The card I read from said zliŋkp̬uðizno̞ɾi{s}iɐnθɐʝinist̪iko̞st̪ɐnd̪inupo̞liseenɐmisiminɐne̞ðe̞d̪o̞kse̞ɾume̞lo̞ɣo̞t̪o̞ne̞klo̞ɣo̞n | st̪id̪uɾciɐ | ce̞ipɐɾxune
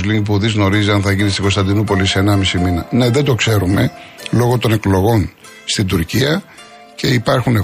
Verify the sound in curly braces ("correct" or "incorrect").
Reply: incorrect